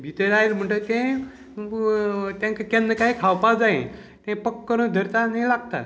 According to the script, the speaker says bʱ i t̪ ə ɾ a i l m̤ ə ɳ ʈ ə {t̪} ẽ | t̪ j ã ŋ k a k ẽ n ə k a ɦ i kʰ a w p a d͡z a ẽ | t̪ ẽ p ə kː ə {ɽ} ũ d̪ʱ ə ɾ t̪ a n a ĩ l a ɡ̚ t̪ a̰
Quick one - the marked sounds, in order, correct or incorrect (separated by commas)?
correct, incorrect